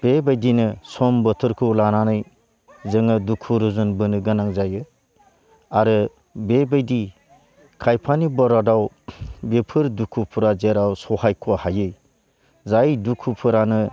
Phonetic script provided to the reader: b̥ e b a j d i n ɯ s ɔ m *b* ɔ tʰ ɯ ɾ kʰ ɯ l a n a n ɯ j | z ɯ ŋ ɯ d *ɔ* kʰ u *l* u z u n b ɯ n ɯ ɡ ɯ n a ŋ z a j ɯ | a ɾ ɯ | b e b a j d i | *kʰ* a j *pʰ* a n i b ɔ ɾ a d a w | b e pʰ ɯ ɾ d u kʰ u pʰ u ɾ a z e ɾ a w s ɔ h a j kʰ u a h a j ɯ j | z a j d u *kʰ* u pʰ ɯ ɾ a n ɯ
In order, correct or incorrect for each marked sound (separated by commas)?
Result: correct, incorrect, incorrect, correct, correct, correct